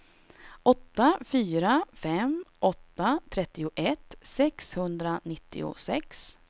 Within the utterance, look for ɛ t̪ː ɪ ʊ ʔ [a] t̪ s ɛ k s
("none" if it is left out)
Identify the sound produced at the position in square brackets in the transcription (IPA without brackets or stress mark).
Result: ɛ